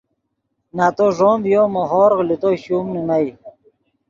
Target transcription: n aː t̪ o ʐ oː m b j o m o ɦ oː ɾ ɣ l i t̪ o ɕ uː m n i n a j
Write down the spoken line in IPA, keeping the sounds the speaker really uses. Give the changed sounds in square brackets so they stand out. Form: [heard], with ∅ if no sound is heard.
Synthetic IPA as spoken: n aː t̪ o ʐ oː m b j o m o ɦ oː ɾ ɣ l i t̪ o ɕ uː m n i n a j